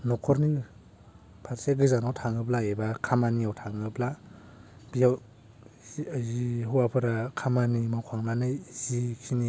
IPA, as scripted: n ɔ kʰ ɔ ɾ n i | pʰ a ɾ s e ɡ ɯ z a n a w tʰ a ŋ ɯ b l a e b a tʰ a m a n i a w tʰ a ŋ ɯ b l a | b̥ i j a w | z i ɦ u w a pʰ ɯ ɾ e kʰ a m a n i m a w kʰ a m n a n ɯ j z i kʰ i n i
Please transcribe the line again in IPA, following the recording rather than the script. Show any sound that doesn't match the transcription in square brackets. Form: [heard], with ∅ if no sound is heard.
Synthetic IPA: n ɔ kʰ ɔ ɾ n i | pʰ a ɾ s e ɡ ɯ z a n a w tʰ a ŋ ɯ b l a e b a [kʰ] a m a n i a w tʰ a ŋ ɯ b l a | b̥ i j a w | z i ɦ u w a pʰ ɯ ɾ [a] kʰ a m a n i m a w kʰ a [ŋ] n a n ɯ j z i kʰ i n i